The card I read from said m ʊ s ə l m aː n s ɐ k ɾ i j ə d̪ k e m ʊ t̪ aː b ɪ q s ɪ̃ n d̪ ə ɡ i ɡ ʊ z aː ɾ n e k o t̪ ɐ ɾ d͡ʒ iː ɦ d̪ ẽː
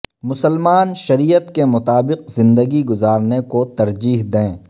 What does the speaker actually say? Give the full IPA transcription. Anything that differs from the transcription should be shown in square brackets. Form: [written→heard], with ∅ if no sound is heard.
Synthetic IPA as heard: m ʊ s ə l m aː n [s→ʃ] ɐ [k→∅] ɾ i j ə [d̪→t̪] k e m ʊ t̪ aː b ɪ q [s→z] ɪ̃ n d̪ ə ɡ i ɡ ʊ z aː ɾ n e k o t̪ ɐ ɾ d͡ʒ iː ɦ d̪ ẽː